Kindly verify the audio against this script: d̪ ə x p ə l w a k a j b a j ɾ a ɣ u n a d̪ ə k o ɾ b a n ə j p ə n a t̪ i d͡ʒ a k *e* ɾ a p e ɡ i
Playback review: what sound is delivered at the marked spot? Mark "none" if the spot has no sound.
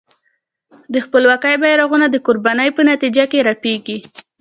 e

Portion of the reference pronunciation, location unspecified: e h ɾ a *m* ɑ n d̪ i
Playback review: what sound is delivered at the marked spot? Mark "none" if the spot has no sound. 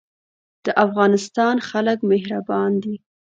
b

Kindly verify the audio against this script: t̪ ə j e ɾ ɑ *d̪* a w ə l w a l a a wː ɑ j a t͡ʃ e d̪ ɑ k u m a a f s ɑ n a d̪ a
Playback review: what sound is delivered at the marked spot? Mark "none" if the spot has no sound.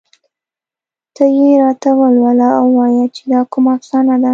t̪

